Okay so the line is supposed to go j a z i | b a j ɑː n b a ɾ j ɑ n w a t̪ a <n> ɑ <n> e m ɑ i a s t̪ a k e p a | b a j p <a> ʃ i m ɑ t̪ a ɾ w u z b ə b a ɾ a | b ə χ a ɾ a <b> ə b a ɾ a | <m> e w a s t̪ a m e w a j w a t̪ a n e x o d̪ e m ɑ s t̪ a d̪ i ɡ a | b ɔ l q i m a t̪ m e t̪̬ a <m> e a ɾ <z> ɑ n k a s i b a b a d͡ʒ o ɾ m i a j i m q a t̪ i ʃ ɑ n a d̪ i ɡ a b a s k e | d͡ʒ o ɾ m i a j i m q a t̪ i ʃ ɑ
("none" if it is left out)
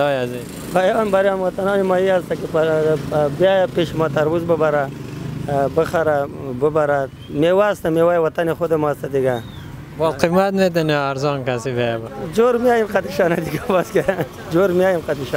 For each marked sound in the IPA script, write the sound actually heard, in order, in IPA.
n, n, e, b, m, n, z

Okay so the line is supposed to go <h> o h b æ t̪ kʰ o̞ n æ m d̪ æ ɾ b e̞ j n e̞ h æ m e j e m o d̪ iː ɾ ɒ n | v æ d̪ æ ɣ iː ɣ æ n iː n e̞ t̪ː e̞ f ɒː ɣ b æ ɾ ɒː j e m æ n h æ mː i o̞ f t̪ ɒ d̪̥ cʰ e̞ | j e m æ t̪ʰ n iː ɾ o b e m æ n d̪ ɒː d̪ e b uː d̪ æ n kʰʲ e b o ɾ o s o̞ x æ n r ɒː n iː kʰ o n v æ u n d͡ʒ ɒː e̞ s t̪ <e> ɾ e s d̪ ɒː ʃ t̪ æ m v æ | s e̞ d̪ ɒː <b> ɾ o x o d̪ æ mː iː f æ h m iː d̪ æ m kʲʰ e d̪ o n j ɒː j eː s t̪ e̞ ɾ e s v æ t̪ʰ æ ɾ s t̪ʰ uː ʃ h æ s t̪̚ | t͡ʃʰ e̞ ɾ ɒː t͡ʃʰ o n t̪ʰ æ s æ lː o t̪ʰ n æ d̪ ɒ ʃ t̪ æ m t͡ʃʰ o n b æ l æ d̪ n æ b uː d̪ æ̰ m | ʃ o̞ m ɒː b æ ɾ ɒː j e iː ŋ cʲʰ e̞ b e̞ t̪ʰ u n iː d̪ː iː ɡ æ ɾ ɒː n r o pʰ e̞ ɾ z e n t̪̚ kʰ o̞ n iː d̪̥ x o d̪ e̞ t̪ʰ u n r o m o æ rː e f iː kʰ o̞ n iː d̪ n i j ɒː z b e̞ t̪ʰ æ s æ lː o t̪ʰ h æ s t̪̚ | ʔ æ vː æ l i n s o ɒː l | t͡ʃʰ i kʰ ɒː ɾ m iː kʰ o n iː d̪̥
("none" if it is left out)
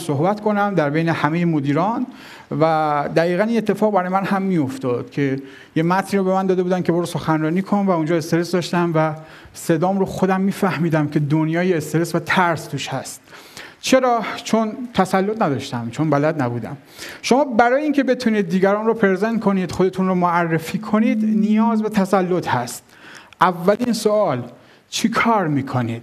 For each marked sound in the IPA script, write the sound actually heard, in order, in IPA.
s, e, m

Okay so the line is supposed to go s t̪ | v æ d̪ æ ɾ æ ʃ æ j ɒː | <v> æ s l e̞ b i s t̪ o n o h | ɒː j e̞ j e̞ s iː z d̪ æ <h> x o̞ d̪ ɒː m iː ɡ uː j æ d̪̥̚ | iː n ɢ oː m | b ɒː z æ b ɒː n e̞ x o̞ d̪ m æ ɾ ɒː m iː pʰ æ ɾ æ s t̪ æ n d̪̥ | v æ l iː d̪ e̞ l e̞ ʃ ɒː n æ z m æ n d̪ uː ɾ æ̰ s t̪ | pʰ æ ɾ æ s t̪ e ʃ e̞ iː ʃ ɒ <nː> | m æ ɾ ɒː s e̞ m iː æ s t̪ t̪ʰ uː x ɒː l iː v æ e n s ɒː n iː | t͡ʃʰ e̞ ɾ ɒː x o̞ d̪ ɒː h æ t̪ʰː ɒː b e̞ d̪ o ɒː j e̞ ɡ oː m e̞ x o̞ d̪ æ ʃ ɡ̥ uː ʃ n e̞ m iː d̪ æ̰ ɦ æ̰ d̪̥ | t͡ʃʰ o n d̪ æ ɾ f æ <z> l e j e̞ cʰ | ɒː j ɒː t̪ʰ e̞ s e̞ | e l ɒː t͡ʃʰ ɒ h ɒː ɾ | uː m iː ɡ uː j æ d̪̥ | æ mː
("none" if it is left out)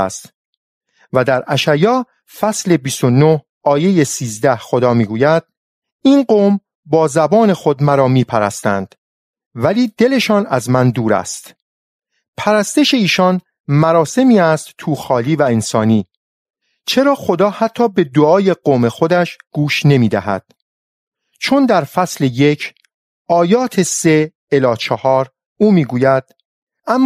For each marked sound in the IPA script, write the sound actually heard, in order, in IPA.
f, h, n, s

